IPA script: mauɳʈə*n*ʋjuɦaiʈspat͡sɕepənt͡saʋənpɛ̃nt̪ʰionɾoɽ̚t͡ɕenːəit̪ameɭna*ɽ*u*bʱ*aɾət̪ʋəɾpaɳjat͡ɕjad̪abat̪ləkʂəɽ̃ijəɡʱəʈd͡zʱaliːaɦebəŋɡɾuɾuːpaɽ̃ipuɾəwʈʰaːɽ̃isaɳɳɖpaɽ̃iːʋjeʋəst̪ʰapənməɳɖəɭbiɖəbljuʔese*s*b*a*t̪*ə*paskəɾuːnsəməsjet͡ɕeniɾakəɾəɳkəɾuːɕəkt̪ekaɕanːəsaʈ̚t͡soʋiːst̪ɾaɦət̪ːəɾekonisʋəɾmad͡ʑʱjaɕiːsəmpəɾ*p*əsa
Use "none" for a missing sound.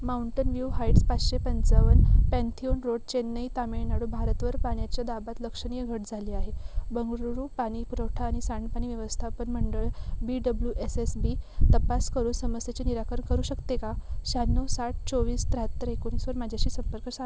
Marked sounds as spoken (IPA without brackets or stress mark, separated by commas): n, ɽ, bʱ, s, i, ə, k